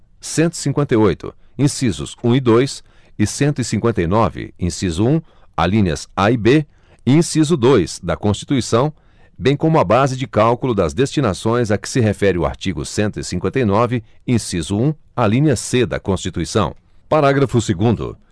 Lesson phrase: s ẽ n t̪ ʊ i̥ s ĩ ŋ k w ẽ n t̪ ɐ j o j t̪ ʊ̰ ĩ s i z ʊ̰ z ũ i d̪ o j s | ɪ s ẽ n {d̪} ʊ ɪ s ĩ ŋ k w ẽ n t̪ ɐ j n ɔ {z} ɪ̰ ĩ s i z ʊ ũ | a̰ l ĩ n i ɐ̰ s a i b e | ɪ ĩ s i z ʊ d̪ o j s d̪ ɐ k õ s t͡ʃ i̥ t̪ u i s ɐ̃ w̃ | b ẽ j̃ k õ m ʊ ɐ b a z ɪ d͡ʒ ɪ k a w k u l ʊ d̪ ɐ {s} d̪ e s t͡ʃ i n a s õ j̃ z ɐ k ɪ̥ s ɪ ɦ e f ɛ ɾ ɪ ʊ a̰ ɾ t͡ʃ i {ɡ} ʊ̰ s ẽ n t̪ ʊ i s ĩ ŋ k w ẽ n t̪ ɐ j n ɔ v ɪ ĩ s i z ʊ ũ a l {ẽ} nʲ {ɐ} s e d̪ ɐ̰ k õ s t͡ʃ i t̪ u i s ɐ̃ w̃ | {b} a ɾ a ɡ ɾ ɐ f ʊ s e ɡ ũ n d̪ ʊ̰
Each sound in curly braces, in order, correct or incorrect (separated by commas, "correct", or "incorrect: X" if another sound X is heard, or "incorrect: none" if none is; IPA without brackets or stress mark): incorrect: t̪, incorrect: v, incorrect: z, correct, incorrect: ĩ, correct, incorrect: p